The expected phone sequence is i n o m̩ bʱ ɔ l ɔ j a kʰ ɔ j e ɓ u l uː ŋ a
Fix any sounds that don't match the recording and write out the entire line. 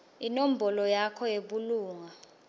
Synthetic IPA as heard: i n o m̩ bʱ ɔ l ɔ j a kʰ ɔ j e ɓ u l uː ŋ a